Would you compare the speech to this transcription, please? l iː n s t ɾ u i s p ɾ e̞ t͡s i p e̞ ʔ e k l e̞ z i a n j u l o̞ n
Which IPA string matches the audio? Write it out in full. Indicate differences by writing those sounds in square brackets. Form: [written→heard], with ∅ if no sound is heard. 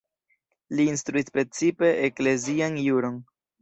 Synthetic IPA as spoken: l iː n s t ɾ u i s p ɾ e̞ t͡s i p e̞ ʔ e k l e̞ z i a n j u [l→ɾ] o̞ n